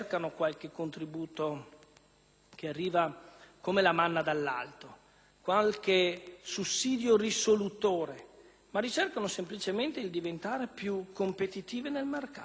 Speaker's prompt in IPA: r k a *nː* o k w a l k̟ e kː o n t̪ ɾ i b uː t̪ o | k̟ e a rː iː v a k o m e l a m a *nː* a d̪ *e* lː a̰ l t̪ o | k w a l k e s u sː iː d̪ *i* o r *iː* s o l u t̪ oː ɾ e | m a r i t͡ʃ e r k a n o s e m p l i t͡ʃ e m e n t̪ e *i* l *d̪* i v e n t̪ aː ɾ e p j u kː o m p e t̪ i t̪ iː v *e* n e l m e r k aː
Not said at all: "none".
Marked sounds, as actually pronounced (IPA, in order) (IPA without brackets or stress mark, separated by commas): n, nː, a, j, i, i, d̪, e